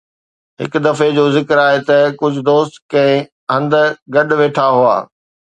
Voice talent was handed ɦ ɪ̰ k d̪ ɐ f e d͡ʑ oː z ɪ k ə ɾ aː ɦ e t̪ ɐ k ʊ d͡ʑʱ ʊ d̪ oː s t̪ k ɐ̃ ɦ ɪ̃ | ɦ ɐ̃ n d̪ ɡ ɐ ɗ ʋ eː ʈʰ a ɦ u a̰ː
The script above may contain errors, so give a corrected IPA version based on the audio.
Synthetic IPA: ɦ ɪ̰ k d̪ ɐ f e d͡ʑ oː z ɪ k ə ɾ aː ɦ e t̪ ɐ k ʊ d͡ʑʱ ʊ d̪ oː s t̪ k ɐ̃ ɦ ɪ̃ | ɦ ɐ̃ n d̪ ɡ ɐ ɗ ʋ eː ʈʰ a ɦ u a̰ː

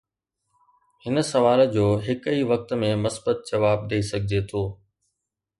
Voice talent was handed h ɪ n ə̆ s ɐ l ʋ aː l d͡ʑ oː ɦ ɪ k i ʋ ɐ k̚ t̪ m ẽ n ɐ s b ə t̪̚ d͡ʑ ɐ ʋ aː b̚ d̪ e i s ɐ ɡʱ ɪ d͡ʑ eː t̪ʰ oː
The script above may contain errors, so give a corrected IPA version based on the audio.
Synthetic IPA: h ɪ n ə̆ s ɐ ʋ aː l d͡ʑ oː ɦ ɪ k i ʋ ɐ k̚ t̪ m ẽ m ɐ s b ə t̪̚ d͡ʑ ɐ ʋ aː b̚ d̪ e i s ɐ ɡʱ ɪ d͡ʑ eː t̪ʰ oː

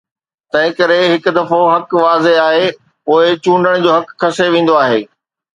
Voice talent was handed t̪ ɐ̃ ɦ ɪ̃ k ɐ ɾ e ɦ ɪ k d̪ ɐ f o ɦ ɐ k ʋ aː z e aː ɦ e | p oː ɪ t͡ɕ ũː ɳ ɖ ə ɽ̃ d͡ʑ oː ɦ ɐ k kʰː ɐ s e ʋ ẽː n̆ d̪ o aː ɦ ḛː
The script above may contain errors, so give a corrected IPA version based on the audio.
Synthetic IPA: t̪ ɐ̃ ɦ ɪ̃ k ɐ ɾ e ɦ ɪ k d̪ ɐ f o ɦ ɐ k ʋ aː z e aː ɦ e | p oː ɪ t͡ɕ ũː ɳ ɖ ə ɽ̃ d͡ʑ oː ɦ ɐ k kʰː ɐ s e ʋ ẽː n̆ d̪ o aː ɦ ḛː

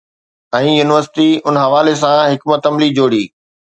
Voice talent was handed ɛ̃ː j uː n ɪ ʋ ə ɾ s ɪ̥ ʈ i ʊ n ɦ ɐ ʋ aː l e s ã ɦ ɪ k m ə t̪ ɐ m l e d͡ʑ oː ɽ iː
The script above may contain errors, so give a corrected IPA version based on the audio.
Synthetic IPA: ɛ̃ː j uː n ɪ ʋ ə ɾ s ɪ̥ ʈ i ʊ n ɦ ɐ ʋ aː l e s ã ɦ ɪ k m ə t̪ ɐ m l i d͡ʑ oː ɽ iː

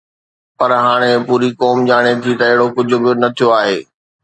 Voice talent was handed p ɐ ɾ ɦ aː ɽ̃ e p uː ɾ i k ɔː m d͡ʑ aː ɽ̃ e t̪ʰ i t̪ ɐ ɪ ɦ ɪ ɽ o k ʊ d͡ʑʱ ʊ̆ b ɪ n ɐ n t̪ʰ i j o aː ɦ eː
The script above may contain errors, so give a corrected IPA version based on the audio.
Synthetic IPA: p ɐ ɾ ɦ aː ɽ̃ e p uː ɾ i k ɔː m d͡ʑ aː ɽ̃ e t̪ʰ i t̪ ɐ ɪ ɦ ɪ ɽ o k ʊ d͡ʑʱ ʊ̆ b ɪ n ɐ t̪ʰ i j o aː ɦ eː

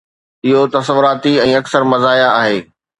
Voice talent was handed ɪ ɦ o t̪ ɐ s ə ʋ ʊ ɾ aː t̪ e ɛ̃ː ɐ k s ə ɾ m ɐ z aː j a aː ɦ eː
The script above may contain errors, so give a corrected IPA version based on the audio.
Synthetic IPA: ɪ ɦ o t̪ ɐ s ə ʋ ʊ ɾ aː t̪ i ɛ̃ː ɐ k s ə ɾ m ɐ z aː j a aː ɦ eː

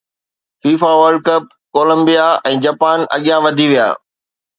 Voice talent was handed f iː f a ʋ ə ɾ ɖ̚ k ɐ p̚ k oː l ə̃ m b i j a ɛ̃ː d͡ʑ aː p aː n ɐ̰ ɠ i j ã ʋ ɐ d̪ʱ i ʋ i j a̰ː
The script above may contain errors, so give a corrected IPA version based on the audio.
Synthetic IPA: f iː f a ʋ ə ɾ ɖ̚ k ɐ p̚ k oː l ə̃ m b i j a ɛ̃ː d͡ʑ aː p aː n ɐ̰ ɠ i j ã ʋ ɐ d̪ʱ i ʋ i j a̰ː

